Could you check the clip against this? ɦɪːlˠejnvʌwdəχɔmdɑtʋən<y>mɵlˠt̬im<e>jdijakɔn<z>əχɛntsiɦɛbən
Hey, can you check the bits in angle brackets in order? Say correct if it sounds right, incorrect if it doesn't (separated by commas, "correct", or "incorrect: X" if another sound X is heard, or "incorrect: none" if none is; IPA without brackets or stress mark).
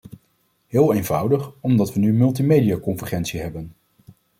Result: correct, correct, incorrect: v